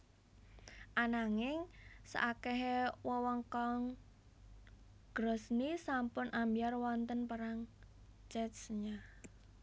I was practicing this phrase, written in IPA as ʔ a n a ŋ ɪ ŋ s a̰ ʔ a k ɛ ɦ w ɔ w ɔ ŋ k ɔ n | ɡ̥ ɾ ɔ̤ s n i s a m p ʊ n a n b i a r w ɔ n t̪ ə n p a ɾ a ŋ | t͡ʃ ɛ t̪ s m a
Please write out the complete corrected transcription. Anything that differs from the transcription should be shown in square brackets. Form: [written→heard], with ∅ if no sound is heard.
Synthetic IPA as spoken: ʔ a n a ŋ ɪ ŋ s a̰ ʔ a k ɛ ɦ w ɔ w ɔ ŋ k ɔ [n→ŋ] | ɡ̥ ɾ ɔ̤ s n i s a m p ʊ n a [n→m] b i a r w ɔ n t̪ ə n p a ɾ a ŋ | t͡ʃ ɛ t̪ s [m→ɲ] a